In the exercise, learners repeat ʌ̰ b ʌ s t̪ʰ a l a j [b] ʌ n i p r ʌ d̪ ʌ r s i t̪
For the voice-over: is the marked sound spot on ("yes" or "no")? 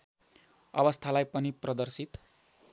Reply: no